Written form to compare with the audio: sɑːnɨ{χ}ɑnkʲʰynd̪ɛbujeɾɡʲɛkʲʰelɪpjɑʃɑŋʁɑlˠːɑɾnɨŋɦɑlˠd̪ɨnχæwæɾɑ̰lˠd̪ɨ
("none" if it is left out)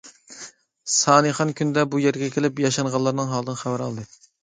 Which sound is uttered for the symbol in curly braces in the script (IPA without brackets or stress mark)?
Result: χ